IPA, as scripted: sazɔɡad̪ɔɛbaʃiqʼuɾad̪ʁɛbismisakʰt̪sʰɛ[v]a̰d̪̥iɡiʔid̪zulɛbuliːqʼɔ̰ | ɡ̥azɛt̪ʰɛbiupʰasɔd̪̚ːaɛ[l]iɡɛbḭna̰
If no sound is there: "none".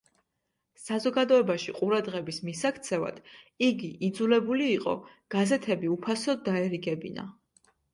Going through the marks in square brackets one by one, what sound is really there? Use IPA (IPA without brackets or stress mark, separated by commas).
v, ɾ